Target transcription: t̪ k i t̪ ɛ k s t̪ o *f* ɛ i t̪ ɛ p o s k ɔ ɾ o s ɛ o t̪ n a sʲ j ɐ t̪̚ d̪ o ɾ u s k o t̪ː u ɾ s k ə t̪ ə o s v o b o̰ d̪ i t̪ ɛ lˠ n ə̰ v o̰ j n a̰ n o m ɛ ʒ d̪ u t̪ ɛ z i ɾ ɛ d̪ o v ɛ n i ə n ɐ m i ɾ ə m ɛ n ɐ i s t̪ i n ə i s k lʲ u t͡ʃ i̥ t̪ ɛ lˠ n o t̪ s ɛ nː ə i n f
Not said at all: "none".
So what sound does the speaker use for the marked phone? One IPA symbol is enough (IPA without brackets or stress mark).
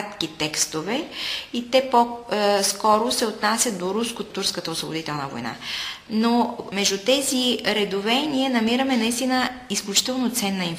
v